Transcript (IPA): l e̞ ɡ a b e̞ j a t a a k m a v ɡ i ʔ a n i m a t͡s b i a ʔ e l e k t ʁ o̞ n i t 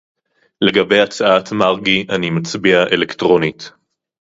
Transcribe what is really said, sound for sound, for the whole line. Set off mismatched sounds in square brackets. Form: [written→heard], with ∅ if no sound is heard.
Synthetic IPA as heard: l e̞ ɡ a b e̞ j a [t→t͡s] a a [k→t] m a [v→ʁ] ɡ i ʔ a n i m a t͡s b i a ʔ e l e k t ʁ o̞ n i t